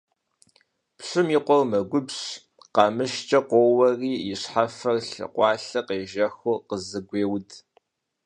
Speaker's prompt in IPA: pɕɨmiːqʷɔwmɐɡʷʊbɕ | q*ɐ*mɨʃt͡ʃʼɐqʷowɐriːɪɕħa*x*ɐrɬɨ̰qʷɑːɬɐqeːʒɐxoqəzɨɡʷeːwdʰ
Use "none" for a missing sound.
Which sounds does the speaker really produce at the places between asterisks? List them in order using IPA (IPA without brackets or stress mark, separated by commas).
ɑ, f